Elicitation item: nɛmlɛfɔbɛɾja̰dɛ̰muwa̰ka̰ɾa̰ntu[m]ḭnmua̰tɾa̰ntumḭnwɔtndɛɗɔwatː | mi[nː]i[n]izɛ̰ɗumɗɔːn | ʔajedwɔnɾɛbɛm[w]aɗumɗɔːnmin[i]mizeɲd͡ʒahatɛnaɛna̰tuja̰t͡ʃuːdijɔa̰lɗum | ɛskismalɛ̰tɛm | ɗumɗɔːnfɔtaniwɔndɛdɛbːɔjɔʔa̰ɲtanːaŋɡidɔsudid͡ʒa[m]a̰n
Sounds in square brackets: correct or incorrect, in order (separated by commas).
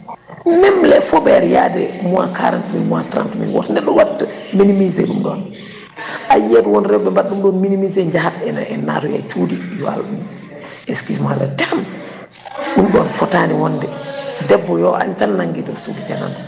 correct, incorrect, incorrect, incorrect, correct, incorrect